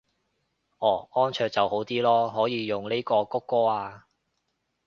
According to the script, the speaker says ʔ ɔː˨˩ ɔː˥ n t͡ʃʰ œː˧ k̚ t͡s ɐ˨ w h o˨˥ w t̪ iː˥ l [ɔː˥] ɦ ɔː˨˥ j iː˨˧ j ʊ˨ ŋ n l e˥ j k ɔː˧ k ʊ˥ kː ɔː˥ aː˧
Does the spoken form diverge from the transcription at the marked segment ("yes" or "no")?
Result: no